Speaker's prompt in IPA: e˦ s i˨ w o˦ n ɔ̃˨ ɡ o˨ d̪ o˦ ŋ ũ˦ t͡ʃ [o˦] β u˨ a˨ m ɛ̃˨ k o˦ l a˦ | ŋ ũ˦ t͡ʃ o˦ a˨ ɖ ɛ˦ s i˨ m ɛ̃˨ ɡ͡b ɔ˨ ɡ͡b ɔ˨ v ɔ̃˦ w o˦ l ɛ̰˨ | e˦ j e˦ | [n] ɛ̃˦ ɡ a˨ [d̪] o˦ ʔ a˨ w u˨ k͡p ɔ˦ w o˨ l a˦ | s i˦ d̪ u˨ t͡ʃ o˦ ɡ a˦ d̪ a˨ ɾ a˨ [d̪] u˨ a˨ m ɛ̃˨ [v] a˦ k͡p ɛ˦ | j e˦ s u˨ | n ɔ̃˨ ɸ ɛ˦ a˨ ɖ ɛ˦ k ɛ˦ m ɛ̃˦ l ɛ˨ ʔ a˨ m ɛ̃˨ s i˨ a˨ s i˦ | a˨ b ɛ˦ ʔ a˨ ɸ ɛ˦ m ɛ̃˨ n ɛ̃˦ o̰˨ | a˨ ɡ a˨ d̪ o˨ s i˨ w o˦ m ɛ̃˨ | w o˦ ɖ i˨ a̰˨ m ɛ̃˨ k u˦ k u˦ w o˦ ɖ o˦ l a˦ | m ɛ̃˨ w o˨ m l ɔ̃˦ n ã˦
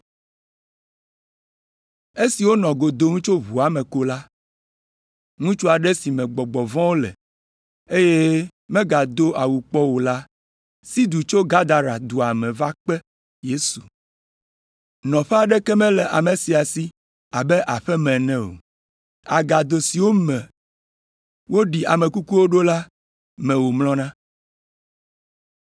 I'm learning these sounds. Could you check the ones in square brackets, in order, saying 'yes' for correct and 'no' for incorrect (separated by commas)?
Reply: yes, no, yes, yes, yes